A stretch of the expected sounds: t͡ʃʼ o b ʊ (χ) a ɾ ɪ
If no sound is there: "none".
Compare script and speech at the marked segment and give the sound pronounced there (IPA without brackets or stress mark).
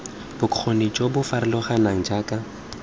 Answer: f